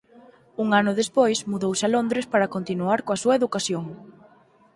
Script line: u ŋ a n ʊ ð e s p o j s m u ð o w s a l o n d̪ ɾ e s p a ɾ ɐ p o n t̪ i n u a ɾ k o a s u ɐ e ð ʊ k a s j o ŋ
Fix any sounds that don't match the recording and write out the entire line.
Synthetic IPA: u ŋ a n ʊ ð e s p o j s m u ð o w s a l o n d̪ ɾ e s p a ɾ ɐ k o n t̪ i n u a ɾ k o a s u ɐ e ð u k a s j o ŋ